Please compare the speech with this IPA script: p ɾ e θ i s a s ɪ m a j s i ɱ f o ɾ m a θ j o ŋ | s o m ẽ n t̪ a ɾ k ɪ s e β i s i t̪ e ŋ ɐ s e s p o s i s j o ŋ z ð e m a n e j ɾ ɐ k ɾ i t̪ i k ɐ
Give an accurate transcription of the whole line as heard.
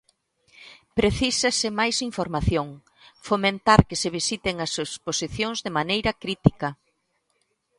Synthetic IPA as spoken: p ɾ e θ i s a s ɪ m a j s i ɱ f o ɾ m a θ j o ŋ | f o m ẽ n t̪ a ɾ k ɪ s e β i s i t̪ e ŋ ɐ s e s p o s i θ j o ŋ z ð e m a n e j ɾ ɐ k ɾ i t̪ i k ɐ